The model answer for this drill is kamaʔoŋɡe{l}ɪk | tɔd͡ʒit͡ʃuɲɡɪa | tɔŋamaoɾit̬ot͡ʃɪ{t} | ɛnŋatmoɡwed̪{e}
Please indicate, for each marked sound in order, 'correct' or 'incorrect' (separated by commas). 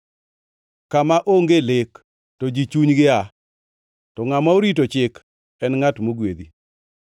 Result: correct, incorrect, incorrect